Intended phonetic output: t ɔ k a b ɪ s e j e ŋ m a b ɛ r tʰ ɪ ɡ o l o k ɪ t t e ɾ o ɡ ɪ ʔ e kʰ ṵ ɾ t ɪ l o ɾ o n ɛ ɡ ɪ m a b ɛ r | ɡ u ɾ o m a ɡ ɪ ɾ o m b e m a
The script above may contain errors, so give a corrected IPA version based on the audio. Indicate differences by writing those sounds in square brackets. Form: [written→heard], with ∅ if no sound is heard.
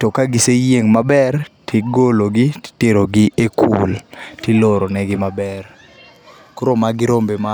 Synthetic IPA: t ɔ k a [b→ɡ] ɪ s e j e ŋ m a b ɛ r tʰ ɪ ɡ o l o [k→ɡ] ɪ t t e ɾ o ɡ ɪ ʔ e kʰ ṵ [ɾ→l] t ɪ l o ɾ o n ɛ ɡ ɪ m a b ɛ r | [ɡ→k] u ɾ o m a ɡ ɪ ɾ o m b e m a